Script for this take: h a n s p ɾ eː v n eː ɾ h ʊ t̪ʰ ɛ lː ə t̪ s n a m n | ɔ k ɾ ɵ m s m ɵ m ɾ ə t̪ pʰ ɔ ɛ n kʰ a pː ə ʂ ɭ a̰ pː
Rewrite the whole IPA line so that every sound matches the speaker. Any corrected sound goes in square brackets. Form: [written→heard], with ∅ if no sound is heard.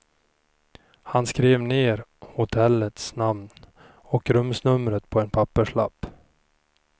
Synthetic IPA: h a n s [p→k] ɾ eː v n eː ɾ h ʊ t̪ʰ ɛ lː ə t̪ s n a m n | ɔ k ɾ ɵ m s [m→n] ɵ m ɾ ə t̪ pʰ ɔ ɛ n [kʰ→pʰ] a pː ə ʂ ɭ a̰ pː